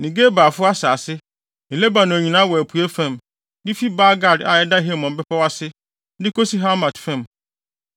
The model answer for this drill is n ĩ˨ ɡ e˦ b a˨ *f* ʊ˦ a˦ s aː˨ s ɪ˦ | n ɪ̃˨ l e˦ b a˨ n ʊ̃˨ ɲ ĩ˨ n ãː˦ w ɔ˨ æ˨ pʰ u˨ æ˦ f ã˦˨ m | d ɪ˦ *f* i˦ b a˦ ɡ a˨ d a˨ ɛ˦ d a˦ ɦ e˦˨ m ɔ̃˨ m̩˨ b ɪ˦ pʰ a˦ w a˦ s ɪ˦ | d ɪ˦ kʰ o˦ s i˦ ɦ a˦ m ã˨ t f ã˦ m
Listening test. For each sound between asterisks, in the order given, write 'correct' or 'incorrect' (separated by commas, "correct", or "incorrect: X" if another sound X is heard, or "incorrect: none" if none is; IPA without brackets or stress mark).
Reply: correct, correct